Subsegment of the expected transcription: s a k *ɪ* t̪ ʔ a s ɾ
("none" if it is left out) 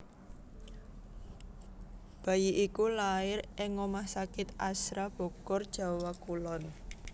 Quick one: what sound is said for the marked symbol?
ɪ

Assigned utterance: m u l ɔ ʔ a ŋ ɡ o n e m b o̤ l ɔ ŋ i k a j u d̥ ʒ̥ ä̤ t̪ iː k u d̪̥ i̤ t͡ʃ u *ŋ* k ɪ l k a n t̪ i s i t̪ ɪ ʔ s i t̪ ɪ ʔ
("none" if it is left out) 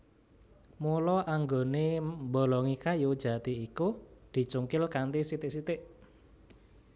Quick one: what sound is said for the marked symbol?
ŋ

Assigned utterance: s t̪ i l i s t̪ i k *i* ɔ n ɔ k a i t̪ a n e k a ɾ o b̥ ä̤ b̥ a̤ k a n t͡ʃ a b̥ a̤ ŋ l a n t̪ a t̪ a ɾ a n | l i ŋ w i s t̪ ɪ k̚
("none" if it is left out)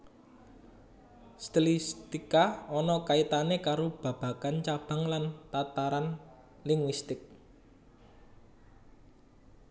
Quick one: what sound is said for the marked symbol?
a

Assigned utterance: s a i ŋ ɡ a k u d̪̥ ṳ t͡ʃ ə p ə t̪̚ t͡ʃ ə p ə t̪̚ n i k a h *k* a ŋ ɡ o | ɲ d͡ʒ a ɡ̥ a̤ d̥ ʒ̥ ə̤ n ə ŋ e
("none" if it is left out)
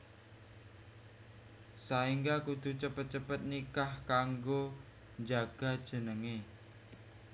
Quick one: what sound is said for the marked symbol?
k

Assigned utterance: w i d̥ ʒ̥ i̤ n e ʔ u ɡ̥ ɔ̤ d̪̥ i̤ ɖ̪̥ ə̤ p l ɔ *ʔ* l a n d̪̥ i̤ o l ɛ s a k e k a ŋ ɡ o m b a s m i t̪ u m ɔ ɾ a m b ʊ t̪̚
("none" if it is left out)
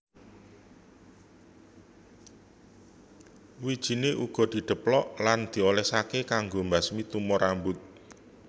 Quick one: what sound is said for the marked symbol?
ʔ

